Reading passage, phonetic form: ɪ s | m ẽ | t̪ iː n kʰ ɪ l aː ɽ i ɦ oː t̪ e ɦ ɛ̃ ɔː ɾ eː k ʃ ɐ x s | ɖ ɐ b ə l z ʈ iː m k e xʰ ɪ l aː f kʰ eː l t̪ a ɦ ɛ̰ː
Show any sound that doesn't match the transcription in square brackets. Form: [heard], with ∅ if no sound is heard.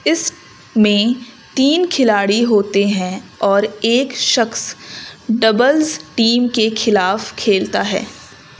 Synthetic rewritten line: ɪ s | m ẽ | t̪ iː n kʰ ɪ l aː ɽ i ɦ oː t̪ e ɦ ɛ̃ ɔː ɾ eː k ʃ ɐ x s | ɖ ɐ b ə l z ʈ iː m k e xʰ ɪ l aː f kʰ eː l t̪ a ɦ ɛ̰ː